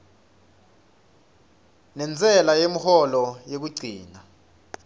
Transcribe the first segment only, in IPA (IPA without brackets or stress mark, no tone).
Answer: n